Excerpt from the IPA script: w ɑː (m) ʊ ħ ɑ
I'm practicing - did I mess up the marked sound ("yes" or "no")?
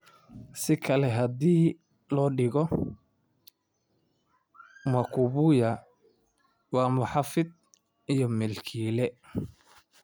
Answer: no